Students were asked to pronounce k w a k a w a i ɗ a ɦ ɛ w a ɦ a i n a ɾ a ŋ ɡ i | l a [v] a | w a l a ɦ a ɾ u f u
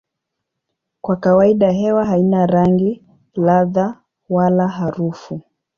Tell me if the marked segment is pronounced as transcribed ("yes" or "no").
no